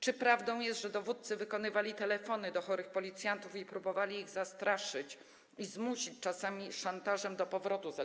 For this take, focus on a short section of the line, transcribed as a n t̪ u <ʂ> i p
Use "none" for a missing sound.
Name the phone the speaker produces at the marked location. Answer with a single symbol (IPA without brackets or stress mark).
f